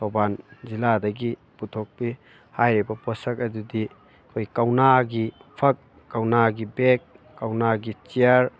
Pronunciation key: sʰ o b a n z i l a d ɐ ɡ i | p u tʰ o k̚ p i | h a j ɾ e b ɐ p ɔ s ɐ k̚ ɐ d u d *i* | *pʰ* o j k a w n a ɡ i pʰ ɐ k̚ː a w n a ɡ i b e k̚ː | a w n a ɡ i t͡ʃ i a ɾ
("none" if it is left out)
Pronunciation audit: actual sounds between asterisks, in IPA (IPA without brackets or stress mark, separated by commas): i, kʰ